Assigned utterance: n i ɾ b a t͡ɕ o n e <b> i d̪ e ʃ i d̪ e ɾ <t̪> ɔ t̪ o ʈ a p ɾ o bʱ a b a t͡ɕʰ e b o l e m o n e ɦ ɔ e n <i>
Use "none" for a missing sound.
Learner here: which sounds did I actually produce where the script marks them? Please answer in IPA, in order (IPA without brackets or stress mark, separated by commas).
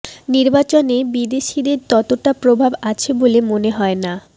b, t̪, a